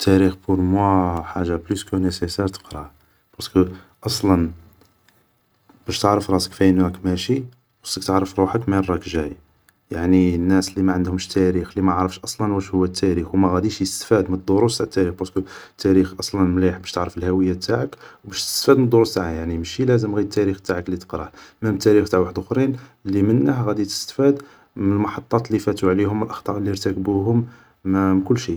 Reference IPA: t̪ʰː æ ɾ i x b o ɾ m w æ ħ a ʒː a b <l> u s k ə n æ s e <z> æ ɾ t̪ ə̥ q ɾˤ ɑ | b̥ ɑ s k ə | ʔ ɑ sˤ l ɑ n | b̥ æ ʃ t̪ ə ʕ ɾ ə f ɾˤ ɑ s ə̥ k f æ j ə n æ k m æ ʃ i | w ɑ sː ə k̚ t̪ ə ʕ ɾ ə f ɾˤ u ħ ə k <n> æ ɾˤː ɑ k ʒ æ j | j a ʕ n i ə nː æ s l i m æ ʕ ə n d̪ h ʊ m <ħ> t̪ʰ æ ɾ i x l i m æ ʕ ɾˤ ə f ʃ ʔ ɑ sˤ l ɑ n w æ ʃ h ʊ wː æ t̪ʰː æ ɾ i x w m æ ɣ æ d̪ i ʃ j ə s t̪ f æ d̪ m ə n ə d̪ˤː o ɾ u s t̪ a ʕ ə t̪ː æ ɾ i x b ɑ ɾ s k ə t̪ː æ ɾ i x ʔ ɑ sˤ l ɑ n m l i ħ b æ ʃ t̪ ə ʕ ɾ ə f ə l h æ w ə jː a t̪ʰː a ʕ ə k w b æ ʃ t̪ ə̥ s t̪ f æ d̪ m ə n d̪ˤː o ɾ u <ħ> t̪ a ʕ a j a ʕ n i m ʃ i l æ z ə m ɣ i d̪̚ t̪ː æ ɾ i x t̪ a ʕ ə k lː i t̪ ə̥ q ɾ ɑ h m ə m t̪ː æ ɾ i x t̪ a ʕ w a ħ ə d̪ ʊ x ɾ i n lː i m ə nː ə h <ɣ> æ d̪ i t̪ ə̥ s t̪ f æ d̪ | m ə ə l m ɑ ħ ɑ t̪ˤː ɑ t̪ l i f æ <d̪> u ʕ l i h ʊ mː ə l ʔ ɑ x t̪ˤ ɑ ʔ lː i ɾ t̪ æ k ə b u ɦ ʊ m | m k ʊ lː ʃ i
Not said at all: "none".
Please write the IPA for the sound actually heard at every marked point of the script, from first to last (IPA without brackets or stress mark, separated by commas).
l, s, m, ʃ, s, ɣ, t̪